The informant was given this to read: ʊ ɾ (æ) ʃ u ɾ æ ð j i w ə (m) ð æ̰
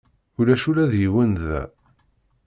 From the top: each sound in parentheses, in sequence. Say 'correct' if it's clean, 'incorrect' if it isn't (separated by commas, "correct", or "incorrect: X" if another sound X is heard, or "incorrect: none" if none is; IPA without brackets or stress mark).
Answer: correct, incorrect: n